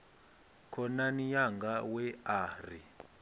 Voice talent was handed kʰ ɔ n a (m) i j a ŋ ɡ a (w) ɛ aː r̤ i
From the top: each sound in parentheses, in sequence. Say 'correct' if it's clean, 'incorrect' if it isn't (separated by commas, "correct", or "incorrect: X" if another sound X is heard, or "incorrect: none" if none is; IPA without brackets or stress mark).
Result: incorrect: n, correct